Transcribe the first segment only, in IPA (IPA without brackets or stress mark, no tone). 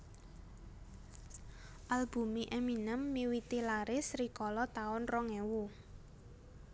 ʔ